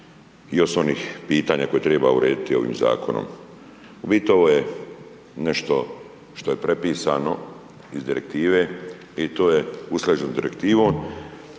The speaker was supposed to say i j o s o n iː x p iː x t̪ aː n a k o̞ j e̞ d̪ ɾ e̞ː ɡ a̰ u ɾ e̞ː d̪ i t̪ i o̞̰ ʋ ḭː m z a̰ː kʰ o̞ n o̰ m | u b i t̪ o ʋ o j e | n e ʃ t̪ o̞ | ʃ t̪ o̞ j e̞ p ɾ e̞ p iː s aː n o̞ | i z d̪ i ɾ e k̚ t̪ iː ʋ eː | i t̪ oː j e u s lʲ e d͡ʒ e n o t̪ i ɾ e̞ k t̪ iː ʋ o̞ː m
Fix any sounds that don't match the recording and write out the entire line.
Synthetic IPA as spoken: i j o s o n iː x p iː t̪ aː ɲ a k o̞ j e̞ t̪ ɾ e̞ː b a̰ u ɾ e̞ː d̪ i t̪ i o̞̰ ʋ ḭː m z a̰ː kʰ o̞ n o̰ m | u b i t̪ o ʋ o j e | n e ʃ t̪ o̞ | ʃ t̪ o̞ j e̞ p ɾ e̞ p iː s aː n o̞ | i z d̪ i ɾ e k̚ t̪ iː ʋ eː | i t̪ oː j e u s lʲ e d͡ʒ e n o d̪ i ɾ e̞ k t̪ iː ʋ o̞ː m